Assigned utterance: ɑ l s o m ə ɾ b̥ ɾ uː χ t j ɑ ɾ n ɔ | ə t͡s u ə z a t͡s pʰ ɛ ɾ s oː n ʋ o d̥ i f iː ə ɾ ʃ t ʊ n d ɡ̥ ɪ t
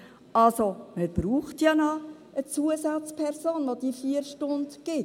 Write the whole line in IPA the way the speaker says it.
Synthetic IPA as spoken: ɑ l s o m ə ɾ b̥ ɾ uː χ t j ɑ n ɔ | ə t͡s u ə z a t͡s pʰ ɛ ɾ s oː n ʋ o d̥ i f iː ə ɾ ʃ t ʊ n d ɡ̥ ɪ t